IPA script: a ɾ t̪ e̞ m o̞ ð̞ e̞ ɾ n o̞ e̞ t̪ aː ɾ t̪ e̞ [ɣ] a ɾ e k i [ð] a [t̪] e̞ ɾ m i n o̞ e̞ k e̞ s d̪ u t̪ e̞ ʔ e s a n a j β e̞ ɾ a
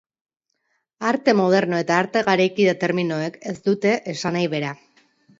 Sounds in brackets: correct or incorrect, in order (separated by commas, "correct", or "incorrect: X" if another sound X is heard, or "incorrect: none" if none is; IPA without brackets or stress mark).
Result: correct, correct, correct